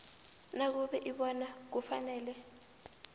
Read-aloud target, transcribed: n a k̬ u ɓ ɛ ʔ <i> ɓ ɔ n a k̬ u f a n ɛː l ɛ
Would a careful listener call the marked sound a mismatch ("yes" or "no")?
no